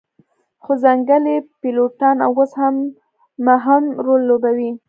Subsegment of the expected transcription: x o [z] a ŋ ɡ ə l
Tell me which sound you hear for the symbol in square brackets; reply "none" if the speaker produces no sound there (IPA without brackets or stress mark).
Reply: z